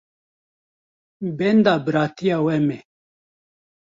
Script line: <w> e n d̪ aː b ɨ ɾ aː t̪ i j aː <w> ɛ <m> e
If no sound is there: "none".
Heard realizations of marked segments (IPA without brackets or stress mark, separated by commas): b, w, m